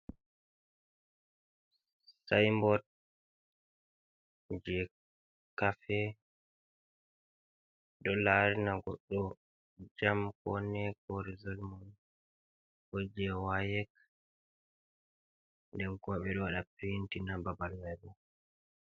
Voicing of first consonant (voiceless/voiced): voiceless